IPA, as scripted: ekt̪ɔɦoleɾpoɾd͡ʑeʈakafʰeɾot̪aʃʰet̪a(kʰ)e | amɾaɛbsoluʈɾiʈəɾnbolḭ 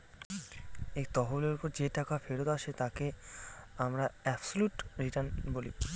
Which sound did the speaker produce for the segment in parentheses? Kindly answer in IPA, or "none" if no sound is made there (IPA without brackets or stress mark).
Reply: k